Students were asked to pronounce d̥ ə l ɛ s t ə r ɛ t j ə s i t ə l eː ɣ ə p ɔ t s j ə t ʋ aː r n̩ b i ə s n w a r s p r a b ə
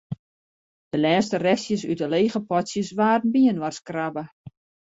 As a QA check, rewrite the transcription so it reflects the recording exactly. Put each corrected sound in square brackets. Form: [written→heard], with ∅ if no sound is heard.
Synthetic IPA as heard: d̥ ə l [ɛ→ɛː] s t ə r ɛ [t→s] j ə s [i→y] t ə l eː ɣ ə p ɔ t s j ə [t→s] ʋ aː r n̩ b i ə [s→∅] n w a r s [p→k] r a b ə

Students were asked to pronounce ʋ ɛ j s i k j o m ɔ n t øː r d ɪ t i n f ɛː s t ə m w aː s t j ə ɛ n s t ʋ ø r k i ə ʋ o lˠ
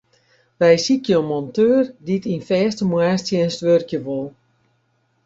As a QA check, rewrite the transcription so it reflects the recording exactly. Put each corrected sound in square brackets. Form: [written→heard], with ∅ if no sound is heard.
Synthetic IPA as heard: ʋ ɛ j s i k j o m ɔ n t øː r d [ɪ→i] t i n f ɛː s t ə m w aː s t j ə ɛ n s t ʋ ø r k [i→j] ə ʋ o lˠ

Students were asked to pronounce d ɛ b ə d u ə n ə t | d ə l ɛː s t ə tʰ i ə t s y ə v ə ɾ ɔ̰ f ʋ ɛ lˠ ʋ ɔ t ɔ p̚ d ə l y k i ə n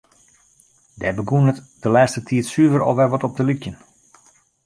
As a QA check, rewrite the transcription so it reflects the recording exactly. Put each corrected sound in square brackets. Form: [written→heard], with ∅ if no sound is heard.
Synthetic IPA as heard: d ɛ b ə [d→ɡ] u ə n ə t | d ə l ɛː s t ə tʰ i ə t s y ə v ə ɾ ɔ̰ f ʋ ɛ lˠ ʋ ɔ t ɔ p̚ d ə l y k [i→j] ə n

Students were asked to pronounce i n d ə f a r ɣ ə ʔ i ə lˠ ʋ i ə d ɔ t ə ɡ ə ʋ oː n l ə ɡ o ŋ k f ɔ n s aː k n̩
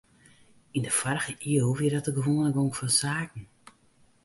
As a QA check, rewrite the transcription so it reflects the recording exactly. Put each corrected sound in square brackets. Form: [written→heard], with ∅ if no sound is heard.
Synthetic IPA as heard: i n d ə f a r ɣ ə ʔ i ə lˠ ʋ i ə d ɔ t ə ɡ ə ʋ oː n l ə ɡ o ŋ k f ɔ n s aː k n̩

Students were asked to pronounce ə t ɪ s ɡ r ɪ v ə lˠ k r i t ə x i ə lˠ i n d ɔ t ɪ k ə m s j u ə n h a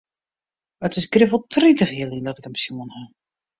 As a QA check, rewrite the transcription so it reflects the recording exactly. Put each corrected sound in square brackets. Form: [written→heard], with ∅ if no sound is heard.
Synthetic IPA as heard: ə t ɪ s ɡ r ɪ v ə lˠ [k→t] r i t ə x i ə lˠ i n d ɔ t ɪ k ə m s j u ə n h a

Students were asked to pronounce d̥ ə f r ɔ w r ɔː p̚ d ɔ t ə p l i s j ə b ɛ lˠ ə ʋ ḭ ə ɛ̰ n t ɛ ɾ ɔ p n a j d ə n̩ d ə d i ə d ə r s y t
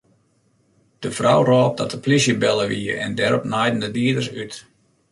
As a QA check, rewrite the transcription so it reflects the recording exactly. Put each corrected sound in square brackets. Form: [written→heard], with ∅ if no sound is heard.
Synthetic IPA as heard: d̥ ə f r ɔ w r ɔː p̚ d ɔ t ə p l i s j ə b ɛ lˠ ə ʋ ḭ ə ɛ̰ n [t→d] ɛ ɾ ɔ p n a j d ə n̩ d ə d i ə d ə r s y t

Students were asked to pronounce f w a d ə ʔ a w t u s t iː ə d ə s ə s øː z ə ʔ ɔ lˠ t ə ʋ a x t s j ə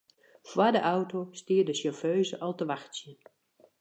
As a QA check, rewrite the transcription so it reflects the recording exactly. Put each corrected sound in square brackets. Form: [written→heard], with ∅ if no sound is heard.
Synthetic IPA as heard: f w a d ə ʔ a w t [u→o] s t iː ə d ə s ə [s→f] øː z ə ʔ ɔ lˠ t ə ʋ a x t s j ə

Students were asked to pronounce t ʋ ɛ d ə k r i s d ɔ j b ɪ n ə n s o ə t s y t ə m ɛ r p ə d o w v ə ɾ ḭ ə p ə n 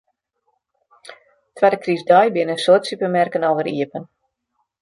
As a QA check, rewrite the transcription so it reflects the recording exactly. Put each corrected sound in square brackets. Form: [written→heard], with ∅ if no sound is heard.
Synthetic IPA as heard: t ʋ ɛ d ə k r i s d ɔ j b ɪ n ə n s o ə t s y [t→p] ə m ɛ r [p→k] ə [d→n] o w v ə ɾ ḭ ə p ə n

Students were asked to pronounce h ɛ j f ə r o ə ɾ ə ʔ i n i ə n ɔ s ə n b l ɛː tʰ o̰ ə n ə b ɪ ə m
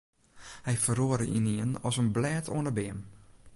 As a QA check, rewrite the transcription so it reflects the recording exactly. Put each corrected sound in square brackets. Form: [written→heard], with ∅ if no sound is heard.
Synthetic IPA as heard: h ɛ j f ə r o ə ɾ ə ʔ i n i ə n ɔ s ə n b l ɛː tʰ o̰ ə n ə b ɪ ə m

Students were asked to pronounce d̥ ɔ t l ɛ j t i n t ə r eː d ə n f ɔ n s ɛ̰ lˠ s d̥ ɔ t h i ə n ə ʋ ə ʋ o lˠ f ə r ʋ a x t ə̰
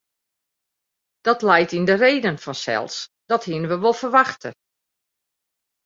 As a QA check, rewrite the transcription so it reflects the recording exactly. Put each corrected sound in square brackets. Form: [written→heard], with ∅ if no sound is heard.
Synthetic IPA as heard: d̥ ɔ t l ɛ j t i n [t→d] ə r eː d ə n f ɔ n s ɛ̰ lˠ s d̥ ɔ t h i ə n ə ʋ ə ʋ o lˠ f ə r ʋ a x t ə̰

